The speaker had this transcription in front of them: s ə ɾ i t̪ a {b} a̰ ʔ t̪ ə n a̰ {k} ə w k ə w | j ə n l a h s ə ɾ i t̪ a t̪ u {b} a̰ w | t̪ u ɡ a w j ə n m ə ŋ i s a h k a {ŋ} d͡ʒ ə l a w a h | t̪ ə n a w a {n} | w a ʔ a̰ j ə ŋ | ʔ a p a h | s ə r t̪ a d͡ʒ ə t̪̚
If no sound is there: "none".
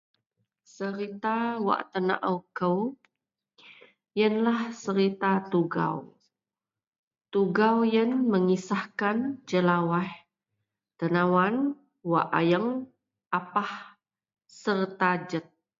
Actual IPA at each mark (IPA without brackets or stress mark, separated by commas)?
w, ʔ, ɡ, n, n